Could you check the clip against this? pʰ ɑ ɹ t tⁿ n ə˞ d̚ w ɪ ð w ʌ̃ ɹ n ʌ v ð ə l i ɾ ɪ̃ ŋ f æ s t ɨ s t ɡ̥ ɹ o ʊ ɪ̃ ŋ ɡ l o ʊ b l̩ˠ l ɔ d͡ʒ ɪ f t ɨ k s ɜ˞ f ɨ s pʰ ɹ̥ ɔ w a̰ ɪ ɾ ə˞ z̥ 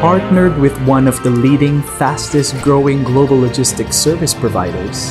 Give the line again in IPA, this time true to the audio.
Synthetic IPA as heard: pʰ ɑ ɹ t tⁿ n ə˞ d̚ w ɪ ð w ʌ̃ n ʌ v ð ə l i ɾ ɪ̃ ŋ f æ s t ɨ s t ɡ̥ ɹ o ʊ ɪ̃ ŋ ɡ l o ʊ b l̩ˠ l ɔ d͡ʒ ɪ s t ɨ k s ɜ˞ v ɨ s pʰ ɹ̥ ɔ v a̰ ɪ ɾ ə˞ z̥